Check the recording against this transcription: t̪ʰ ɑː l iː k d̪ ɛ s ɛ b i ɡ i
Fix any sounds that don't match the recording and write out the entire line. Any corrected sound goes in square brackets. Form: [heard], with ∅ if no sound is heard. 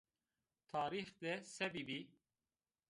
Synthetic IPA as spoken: t̪ʰ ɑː [ɾ] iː [x] d̪ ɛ s ɛ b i [b] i

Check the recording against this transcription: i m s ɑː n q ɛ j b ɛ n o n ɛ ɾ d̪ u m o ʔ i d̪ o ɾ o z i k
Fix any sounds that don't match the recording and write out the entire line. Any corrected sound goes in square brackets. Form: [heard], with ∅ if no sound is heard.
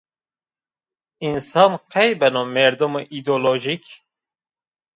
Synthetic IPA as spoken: i [n] s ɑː n q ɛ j b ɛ n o [m] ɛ ɾ d̪ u m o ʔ i d̪ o [l] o [ʒ] i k

